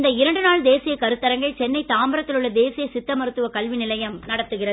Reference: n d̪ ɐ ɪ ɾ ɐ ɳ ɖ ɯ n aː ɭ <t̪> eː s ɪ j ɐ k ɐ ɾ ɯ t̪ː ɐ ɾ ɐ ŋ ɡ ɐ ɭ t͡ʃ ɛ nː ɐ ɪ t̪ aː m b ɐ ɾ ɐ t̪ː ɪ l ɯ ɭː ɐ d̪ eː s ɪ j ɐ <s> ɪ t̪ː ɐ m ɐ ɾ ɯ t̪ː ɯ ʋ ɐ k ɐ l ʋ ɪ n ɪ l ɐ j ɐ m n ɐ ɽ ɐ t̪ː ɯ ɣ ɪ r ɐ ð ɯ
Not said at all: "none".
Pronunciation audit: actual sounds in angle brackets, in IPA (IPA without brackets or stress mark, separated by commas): d̪, s